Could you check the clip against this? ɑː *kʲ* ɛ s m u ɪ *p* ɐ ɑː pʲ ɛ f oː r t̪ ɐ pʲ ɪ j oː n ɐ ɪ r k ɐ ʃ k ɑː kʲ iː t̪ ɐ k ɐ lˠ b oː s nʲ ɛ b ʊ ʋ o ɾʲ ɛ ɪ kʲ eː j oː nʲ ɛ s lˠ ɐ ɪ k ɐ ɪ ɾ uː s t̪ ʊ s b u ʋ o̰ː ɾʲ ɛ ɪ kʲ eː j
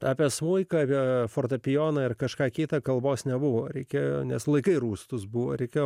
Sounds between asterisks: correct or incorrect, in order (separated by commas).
incorrect, incorrect